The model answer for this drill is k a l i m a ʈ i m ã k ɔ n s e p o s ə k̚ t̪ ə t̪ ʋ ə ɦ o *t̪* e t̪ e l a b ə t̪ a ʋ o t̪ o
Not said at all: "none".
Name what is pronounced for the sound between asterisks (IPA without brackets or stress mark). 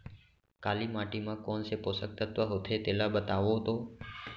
t̪ʰ